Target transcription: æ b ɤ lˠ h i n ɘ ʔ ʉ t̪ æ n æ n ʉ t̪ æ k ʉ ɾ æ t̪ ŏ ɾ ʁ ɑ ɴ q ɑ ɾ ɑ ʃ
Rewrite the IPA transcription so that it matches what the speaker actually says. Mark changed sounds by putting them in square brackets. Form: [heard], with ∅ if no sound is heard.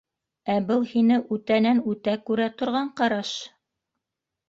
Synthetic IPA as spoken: æ b ɤ lˠ h i n ɘ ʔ ʉ t̪ æ n æ n ʉ t̪ æ k ʉ ɾ æ t̪ ŏ ɾ ʁ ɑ ɴ q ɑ ɾ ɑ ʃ